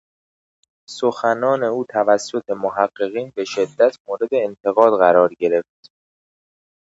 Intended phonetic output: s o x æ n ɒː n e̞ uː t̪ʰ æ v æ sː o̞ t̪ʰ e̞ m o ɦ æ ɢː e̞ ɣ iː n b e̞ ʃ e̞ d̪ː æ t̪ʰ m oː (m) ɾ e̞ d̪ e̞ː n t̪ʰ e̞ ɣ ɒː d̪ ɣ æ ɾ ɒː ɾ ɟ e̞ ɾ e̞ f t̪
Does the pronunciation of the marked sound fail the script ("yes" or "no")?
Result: yes